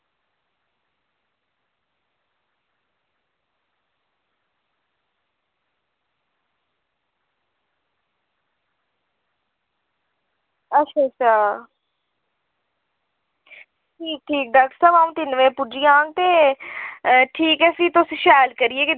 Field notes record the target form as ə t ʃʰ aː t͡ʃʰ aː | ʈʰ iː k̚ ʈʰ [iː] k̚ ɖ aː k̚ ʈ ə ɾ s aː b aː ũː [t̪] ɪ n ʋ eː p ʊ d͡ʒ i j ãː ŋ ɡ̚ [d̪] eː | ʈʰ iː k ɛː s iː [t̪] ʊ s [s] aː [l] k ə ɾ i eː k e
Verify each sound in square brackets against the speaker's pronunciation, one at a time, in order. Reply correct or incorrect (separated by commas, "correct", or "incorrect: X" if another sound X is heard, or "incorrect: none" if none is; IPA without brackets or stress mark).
correct, correct, incorrect: t̪, correct, incorrect: ʃ, correct